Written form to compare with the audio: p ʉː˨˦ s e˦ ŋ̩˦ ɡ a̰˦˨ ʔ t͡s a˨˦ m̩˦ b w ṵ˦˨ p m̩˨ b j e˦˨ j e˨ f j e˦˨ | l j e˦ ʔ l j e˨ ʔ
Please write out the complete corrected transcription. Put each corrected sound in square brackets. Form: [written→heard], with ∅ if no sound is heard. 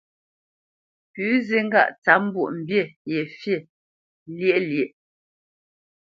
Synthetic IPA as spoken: p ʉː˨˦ [s→z] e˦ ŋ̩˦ ɡ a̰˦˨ ʔ t͡s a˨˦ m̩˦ b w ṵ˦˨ [p→ʔ] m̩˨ b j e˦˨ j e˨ f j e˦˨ | l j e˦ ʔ l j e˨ ʔ